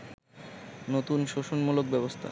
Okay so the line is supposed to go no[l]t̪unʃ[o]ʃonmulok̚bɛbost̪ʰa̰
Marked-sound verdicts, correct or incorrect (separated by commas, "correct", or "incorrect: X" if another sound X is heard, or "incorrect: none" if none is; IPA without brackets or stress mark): incorrect: none, correct